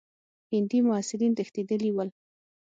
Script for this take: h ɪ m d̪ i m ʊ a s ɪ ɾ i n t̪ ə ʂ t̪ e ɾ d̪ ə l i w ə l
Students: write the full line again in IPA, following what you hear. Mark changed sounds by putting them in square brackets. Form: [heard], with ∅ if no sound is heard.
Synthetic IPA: h ɪ [n] d̪ i m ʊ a s ɪ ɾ i n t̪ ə [x] t̪ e [∅] d̪ ə l i w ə l

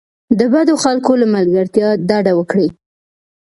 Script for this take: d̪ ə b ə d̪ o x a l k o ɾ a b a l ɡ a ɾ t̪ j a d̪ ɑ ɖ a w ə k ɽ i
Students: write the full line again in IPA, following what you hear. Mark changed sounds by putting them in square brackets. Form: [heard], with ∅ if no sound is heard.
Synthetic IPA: d̪ ə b [a] d̪ o x a l k o [l] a [m] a l ɡ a ɾ t̪ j [ɑ] d̪ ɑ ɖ a w ə k ɽ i

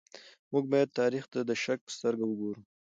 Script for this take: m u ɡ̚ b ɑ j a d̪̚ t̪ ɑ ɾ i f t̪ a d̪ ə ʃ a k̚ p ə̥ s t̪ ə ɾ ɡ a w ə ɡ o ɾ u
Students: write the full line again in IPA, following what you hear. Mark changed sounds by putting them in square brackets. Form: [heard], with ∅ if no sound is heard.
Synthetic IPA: m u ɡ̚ b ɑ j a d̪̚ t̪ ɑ ɾ i [x] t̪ a d̪ ə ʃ a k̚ p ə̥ s t̪ ə ɾ ɡ a w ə ɡ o ɾ u

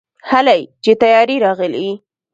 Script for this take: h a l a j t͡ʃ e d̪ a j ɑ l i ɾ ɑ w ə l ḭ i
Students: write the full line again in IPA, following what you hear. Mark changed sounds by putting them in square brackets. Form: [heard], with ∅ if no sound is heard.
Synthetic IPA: h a l a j t͡ʃ e [t̪] a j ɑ [ɾ] i ɾ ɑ [ɣ] ə l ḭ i

